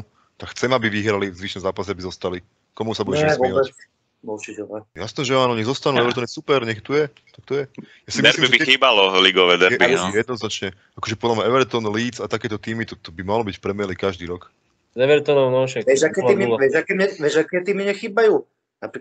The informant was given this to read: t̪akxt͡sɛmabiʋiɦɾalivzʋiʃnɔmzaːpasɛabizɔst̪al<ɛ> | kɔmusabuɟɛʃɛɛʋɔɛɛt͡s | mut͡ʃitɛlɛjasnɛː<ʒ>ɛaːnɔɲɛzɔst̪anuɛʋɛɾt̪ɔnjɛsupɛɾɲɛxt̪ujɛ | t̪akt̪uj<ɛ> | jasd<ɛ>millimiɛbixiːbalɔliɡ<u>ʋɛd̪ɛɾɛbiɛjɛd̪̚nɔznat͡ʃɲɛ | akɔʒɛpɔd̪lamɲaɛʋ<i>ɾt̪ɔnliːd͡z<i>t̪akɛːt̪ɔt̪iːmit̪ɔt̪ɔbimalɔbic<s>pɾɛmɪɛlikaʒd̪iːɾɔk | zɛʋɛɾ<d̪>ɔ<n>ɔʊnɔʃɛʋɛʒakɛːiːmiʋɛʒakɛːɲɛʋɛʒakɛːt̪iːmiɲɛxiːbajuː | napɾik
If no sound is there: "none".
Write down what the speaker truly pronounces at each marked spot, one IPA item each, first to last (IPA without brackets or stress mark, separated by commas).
i, ʒ, ɛ, i, ɔ, ɛ, a, f, t̪, n